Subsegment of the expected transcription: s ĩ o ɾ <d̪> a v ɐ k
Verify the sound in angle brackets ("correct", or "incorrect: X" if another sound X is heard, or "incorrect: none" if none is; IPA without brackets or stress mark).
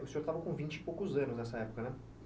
incorrect: t̪